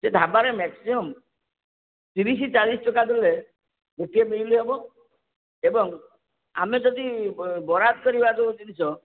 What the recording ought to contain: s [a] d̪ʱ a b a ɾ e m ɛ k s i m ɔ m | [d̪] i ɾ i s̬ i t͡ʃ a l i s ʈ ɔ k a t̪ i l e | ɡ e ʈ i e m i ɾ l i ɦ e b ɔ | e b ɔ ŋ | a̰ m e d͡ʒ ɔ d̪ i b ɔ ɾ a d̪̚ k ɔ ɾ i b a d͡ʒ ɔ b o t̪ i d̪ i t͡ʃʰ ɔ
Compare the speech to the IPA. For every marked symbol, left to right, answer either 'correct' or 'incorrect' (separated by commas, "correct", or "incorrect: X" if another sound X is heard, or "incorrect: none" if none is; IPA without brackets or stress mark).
incorrect: e, incorrect: t̪